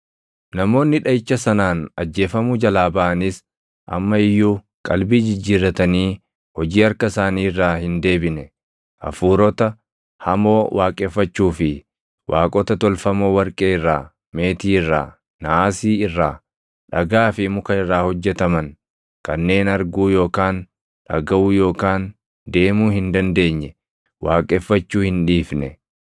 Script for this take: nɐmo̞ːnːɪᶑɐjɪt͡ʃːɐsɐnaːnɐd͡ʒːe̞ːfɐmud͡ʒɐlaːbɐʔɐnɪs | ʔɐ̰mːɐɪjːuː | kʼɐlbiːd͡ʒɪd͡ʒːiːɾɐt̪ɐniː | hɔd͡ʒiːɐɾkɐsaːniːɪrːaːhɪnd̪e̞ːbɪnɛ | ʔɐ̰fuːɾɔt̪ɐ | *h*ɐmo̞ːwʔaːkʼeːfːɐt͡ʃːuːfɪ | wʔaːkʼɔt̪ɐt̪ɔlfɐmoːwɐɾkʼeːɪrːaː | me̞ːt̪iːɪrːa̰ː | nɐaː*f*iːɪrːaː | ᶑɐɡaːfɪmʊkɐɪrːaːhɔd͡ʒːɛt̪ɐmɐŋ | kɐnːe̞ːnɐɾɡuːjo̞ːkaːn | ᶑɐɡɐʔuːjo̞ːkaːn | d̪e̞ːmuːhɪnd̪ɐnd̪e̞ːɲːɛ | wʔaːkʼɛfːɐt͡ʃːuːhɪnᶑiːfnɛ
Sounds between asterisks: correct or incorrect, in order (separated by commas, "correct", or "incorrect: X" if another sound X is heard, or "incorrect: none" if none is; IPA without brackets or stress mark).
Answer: correct, incorrect: s